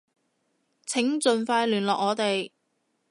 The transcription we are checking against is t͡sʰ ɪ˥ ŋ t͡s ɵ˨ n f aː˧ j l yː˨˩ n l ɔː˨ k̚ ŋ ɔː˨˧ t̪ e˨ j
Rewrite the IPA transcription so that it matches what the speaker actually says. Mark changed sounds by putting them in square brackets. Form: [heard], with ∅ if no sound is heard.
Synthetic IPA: t͡sʰ [ɪ˨˥] ŋ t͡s ɵ˨ n f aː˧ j l yː˨˩ n l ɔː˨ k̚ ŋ ɔː˨˧ t̪ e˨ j